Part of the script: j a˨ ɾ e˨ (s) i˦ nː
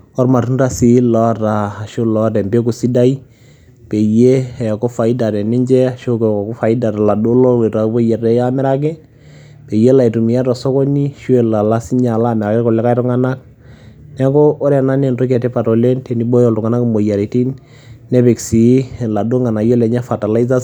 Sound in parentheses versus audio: incorrect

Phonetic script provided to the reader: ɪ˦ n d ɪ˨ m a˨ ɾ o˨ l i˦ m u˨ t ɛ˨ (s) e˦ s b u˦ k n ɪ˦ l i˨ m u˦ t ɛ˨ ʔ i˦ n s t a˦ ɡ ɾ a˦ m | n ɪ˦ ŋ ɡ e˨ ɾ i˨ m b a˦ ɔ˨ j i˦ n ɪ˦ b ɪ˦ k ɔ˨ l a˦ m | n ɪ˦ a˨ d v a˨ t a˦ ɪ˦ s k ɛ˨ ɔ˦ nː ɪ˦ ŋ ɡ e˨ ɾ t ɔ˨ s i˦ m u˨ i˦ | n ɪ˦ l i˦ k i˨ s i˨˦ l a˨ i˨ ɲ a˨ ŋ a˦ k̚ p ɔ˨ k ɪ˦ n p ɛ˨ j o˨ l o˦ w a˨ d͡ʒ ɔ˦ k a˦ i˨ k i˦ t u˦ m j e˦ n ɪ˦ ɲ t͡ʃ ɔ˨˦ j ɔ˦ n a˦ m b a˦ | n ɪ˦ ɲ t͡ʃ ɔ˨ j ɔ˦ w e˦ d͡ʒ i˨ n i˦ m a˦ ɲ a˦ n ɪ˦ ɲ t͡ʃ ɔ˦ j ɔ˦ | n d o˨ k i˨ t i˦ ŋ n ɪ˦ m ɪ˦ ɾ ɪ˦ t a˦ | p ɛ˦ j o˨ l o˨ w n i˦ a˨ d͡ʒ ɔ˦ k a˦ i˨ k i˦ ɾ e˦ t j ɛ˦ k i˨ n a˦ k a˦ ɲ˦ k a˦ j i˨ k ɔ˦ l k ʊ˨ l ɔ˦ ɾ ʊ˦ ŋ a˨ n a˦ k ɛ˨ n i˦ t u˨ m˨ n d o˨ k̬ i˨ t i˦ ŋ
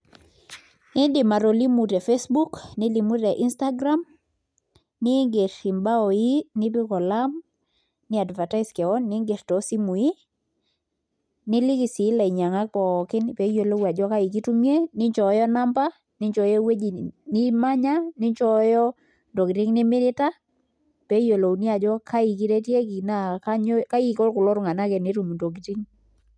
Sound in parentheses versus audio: incorrect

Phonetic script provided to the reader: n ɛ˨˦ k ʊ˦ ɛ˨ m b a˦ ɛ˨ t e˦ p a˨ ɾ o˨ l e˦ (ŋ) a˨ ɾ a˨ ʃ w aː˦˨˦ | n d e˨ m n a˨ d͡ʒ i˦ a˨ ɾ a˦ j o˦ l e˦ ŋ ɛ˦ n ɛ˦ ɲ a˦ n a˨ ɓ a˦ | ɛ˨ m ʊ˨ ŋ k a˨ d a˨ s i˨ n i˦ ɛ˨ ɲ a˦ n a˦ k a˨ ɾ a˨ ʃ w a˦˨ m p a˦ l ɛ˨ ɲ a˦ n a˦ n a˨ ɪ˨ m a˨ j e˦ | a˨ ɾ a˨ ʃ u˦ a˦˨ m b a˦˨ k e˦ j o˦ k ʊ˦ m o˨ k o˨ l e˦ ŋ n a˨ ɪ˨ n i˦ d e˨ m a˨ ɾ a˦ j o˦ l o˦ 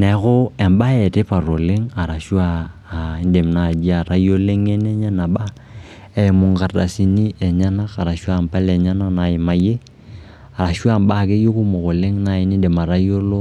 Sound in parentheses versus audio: correct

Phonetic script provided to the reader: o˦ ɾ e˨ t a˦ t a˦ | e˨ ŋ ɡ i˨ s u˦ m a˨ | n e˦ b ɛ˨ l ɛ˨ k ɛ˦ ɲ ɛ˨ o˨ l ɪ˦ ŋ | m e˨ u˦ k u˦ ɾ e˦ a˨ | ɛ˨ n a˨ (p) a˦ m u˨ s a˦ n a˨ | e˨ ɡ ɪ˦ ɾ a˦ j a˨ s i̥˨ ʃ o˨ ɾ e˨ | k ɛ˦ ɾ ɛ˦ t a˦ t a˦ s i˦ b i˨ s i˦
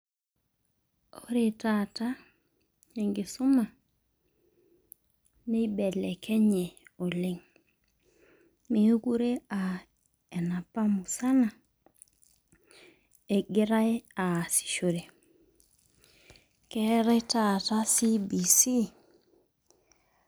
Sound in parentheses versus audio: correct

